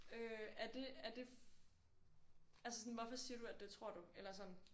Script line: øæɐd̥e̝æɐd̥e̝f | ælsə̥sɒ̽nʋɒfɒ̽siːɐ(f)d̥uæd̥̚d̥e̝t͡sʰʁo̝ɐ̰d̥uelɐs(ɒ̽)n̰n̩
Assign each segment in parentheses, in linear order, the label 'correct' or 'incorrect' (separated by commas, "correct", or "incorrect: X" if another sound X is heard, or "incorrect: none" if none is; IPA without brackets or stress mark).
incorrect: none, correct